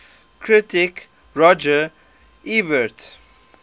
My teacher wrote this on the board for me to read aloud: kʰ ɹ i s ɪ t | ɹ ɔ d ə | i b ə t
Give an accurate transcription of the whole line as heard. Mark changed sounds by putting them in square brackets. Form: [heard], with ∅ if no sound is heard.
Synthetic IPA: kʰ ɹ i [t] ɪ [k] | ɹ ɔ [d͡ʒ] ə | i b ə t